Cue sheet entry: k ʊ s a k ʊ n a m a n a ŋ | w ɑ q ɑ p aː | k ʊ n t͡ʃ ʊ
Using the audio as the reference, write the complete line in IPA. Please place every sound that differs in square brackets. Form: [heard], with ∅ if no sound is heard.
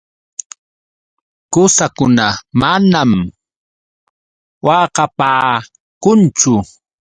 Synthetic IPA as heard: k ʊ s a k ʊ n a m a n a [m] | w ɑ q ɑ p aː | k ʊ n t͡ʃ ʊ